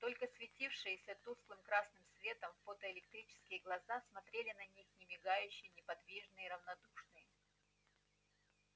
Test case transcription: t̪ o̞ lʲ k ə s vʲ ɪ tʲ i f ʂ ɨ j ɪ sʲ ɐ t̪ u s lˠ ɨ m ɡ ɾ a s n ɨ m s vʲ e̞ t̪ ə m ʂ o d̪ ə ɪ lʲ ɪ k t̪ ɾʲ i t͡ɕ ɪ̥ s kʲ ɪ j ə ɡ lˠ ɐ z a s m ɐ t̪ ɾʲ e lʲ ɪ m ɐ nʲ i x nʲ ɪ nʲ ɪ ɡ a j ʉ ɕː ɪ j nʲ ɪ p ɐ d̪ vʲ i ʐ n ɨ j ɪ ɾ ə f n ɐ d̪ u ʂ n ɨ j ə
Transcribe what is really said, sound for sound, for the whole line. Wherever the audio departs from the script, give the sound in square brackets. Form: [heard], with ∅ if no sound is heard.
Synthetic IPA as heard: t̪ o̞ lʲ k ə s vʲ ɪ tʲ i f ʂ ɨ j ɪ sʲ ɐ t̪ u s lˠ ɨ m [k] ɾ a s n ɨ m s vʲ e̞ t̪ ə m [f] o [t̪] ə ɪ lʲ ɪ k t̪ ɾʲ i t͡ɕ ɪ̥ s kʲ ɪ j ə ɡ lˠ ɐ z a s m ɐ t̪ ɾʲ e lʲ ɪ [n] ɐ nʲ i x nʲ ɪ [mʲ] ɪ ɡ a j ʉ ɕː ɪ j nʲ ɪ p ɐ d̪ vʲ i ʐ n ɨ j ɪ ɾ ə [v] n ɐ d̪ u ʂ n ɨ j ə